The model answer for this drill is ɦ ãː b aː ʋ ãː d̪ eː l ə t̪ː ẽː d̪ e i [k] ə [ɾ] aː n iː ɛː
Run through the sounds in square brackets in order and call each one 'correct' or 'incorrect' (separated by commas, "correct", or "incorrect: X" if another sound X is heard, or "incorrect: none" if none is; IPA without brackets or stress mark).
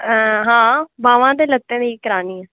correct, correct